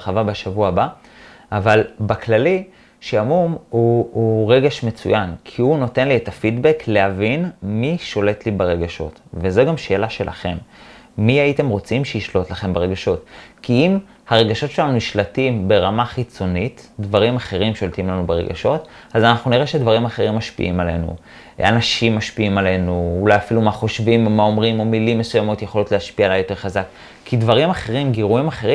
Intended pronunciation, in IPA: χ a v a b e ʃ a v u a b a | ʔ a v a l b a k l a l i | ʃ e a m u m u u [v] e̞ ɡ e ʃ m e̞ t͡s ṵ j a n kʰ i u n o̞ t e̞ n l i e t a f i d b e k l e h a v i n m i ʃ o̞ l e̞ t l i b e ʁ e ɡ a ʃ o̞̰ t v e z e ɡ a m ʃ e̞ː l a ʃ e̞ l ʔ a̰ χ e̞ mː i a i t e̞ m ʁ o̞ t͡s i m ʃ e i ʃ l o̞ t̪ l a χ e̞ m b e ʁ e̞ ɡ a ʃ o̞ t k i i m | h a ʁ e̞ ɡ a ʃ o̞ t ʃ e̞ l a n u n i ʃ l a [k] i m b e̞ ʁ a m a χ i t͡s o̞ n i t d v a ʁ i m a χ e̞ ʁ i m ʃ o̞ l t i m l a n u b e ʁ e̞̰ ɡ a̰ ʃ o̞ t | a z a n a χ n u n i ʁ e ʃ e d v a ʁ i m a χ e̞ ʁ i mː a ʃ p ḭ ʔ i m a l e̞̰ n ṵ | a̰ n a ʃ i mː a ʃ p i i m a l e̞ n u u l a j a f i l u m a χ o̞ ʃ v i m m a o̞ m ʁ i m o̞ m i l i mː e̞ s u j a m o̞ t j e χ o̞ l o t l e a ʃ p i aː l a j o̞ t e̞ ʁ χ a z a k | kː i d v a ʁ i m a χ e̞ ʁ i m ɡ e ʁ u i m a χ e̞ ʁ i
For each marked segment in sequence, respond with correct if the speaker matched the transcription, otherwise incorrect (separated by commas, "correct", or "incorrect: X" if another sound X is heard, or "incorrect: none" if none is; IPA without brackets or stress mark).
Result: incorrect: ʁ, incorrect: t